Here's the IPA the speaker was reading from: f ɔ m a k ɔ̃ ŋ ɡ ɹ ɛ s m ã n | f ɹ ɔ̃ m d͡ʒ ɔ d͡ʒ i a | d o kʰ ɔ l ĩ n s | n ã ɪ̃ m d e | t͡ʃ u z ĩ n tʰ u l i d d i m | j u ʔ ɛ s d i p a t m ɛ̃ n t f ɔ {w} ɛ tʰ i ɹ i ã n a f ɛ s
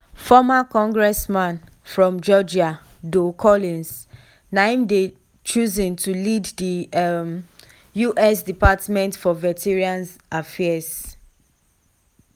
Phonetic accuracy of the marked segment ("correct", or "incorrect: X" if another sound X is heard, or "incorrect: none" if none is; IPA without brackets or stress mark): incorrect: v